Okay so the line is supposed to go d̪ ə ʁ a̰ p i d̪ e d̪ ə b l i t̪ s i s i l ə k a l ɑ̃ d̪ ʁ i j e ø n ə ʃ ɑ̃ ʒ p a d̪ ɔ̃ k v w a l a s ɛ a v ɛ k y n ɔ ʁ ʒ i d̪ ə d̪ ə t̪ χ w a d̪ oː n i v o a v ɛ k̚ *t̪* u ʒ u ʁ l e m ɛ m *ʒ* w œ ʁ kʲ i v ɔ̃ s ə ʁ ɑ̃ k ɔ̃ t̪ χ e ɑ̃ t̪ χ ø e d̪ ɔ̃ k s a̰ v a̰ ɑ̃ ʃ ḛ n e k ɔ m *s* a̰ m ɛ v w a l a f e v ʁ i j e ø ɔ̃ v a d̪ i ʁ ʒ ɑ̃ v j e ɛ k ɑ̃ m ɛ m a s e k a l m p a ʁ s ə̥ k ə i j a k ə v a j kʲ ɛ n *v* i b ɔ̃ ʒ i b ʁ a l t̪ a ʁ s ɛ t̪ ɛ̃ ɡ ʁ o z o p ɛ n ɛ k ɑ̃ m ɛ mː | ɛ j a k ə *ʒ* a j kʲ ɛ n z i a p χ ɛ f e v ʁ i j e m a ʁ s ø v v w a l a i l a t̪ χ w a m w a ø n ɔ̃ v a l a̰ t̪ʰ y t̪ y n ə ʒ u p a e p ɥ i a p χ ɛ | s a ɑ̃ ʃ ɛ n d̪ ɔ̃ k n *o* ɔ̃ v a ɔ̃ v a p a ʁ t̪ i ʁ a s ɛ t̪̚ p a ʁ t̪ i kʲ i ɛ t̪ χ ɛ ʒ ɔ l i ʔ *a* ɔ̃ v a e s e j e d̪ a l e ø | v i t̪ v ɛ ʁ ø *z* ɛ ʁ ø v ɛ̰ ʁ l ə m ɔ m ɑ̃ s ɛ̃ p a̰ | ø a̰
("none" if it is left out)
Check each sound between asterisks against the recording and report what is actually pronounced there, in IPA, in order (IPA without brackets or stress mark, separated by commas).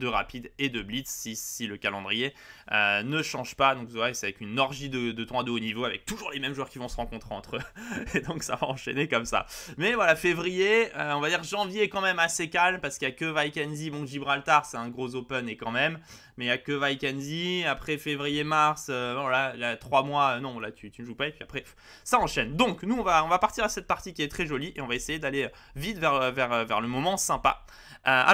t̪, ʒ, s, z, v, u, e, v